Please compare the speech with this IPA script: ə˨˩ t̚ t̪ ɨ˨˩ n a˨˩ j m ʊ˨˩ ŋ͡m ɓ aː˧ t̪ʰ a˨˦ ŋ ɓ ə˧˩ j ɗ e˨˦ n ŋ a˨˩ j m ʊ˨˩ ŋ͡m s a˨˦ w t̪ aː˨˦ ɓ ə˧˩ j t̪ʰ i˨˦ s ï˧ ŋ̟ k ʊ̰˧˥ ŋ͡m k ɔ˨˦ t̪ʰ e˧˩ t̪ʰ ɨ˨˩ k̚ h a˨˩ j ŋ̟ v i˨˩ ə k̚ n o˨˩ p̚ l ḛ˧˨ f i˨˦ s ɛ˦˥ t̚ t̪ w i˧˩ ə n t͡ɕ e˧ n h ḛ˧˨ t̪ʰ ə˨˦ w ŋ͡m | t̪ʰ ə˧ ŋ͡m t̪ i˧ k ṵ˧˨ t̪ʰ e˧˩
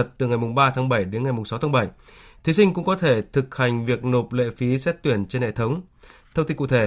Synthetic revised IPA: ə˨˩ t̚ t̪ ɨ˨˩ ŋ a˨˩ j m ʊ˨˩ ŋ͡m ɓ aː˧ t̪ʰ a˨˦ ŋ ɓ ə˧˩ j ɗ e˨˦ n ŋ a˨˩ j m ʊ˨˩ ŋ͡m s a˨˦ w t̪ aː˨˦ ɓ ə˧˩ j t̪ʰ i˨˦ s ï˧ ŋ̟ k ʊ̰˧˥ ŋ͡m k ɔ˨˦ t̪ʰ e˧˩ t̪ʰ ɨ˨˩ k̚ h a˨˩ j ŋ̟ v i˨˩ ə k̚ n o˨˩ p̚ l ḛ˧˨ f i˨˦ s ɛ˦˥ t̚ t̪ w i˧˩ ə n t͡ɕ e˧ n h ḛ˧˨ t̪ʰ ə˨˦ w ŋ͡m | t̪ʰ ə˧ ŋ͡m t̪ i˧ k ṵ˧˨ t̪ʰ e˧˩